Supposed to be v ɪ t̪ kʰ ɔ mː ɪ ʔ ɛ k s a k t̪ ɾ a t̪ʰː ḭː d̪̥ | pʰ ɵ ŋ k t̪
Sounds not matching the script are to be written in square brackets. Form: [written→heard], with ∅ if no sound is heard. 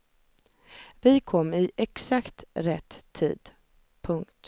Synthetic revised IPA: v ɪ [t̪→∅] kʰ ɔ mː ɪ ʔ ɛ k s a k t̪ ɾ [a→ɛ] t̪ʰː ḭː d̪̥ | pʰ ɵ ŋ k t̪